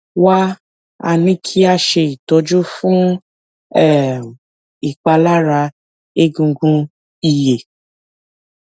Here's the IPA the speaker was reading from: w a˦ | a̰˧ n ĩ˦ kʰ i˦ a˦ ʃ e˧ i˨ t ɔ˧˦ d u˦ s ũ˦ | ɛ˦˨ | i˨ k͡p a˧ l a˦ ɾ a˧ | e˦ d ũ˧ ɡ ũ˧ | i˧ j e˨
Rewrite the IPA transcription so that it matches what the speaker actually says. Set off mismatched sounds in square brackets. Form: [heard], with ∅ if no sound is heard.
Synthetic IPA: w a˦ | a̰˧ n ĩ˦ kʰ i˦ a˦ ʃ e˧ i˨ t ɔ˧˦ [d͡ʒ] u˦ [f] ũ˦ | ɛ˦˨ | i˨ k͡p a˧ l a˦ ɾ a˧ | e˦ [ɡ] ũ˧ ɡ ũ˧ | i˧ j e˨